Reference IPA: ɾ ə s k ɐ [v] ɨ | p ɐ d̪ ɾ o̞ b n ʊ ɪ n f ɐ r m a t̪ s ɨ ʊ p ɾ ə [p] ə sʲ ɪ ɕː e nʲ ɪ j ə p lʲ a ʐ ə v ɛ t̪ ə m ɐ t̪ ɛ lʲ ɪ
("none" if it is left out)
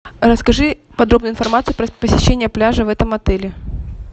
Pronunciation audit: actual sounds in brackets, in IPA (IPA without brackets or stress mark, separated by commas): ʐ, p